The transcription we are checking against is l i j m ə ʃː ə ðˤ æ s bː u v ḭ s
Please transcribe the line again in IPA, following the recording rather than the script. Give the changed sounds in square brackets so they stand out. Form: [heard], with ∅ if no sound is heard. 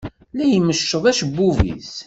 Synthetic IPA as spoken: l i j m ə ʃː ə ðˤ æ [ʃ] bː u v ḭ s

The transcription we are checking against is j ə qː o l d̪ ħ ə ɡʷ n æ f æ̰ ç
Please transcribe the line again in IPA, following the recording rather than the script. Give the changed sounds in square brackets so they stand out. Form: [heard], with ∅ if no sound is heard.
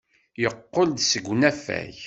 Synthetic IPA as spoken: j ə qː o l d̪ [s] ə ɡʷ n æ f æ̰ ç

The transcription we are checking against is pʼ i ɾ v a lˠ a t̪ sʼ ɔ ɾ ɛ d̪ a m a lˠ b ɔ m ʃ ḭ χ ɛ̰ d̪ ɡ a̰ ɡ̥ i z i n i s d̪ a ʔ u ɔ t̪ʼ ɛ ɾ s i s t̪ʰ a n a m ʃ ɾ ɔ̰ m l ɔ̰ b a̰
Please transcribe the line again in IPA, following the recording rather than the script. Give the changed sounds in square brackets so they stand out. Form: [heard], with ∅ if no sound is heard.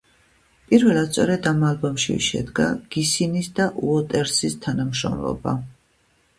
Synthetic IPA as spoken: pʼ i ɾ v [ɛ] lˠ a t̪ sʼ ɔ ɾ ɛ d̪ a m a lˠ b ɔ m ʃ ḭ [ʃ] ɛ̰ d̪ ɡ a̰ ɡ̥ i [s] i n i s d̪ a ʔ u ɔ t̪ʼ ɛ ɾ s i s t̪ʰ a n a m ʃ ɾ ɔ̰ m l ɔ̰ b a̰

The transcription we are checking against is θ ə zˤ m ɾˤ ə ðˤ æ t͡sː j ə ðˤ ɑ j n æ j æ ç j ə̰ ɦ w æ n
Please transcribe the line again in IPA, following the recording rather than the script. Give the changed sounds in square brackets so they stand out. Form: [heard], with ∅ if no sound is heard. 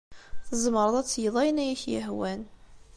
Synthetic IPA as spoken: θ ə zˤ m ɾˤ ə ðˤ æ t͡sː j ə ðˤ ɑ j n æ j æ ç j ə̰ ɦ w æ n

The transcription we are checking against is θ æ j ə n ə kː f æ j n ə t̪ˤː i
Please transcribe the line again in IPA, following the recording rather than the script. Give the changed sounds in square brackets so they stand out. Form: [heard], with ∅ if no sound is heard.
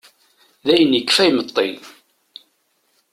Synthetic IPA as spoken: [ð] æ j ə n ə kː f æ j [m] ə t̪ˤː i

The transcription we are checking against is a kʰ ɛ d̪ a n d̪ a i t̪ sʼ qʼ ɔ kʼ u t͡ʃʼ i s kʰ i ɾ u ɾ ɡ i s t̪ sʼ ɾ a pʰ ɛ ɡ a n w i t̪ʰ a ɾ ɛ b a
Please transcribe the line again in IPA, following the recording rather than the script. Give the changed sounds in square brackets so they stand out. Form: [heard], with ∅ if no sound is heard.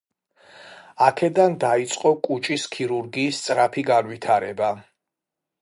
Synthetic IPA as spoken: a kʰ ɛ d̪ a n d̪ a i t̪ sʼ qʼ ɔ kʼ u t͡ʃʼ i s kʰ i ɾ u ɾ ɡ [iː] s t̪ sʼ ɾ a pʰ [i] ɡ a n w i t̪ʰ a ɾ ɛ b a

